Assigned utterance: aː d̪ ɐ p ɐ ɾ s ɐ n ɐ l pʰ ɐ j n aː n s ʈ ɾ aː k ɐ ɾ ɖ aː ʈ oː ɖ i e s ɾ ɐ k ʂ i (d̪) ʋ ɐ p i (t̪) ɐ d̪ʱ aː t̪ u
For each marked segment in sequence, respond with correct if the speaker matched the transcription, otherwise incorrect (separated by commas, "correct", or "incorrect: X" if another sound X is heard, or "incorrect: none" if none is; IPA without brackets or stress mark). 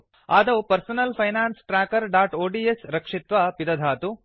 incorrect: t̪, incorrect: d̪